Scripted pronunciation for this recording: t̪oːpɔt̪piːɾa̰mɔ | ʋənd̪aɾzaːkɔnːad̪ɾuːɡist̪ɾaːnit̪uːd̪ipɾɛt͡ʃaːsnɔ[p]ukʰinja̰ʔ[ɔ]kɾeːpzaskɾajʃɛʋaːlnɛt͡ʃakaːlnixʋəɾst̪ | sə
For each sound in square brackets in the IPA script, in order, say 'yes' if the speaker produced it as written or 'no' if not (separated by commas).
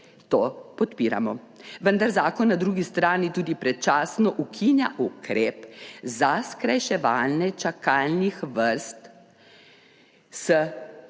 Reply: no, no